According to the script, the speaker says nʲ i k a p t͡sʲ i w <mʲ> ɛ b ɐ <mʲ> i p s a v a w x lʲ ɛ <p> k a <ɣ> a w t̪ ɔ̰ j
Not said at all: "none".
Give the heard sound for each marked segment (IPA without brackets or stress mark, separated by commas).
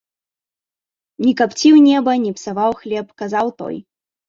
nʲ, nʲ, p, z